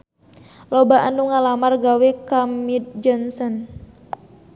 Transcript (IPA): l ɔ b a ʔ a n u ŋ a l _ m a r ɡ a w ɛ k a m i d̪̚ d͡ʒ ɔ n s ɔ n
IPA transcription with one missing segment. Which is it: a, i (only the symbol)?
a